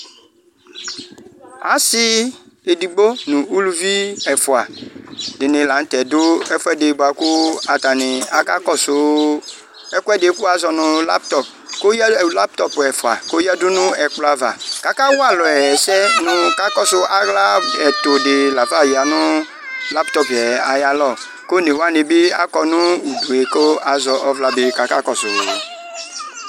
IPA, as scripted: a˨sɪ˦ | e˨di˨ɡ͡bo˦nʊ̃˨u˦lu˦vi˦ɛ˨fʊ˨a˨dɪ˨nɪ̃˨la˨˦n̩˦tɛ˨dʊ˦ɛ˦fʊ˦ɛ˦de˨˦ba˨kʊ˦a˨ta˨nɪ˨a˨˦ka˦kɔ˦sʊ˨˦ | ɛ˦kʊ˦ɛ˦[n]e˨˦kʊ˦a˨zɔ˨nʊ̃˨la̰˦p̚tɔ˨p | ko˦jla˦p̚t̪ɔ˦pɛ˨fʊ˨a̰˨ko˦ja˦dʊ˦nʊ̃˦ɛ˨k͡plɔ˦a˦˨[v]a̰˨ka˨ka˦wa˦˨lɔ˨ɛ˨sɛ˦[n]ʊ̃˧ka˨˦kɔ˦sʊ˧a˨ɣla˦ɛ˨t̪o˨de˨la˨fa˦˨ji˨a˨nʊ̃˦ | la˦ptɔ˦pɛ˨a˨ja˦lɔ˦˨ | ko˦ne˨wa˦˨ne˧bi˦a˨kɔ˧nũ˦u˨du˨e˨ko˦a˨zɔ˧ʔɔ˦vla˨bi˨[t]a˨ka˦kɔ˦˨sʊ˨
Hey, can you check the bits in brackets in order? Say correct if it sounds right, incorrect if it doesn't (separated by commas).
incorrect, correct, correct, incorrect